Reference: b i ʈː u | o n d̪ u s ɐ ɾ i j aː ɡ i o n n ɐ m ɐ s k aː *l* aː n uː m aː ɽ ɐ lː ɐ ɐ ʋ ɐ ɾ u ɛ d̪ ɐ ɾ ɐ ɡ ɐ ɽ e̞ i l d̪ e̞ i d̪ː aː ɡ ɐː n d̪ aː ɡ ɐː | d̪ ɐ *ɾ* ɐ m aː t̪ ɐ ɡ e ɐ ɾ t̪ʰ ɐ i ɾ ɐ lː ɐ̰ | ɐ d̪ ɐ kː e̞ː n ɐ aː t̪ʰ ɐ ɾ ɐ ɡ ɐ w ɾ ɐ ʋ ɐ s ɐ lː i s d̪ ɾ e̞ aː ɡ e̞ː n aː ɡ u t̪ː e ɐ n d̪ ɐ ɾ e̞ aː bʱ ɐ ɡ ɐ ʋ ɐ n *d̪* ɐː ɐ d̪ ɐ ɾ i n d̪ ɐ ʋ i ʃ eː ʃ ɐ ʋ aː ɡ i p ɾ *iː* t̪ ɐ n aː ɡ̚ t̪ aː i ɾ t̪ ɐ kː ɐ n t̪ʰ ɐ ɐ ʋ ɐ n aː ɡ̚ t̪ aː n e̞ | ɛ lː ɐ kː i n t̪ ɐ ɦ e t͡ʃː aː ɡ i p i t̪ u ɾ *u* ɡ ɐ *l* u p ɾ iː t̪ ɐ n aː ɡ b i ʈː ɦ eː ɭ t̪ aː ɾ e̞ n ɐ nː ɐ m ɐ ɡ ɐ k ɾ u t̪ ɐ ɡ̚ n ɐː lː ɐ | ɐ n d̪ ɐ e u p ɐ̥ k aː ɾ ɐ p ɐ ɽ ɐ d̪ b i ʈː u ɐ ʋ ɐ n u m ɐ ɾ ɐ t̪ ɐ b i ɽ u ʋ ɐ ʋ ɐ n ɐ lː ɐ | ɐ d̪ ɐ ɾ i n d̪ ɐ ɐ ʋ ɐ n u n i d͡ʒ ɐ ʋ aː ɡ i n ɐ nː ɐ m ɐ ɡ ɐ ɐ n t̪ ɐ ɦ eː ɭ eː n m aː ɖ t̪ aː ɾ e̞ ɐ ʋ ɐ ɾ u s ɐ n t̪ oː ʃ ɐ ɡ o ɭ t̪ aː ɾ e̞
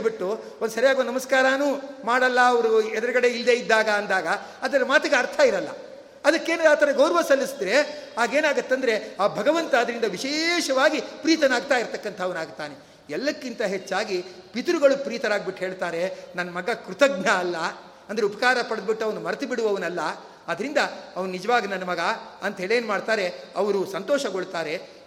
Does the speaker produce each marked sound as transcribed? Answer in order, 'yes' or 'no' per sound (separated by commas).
no, yes, no, yes, yes, no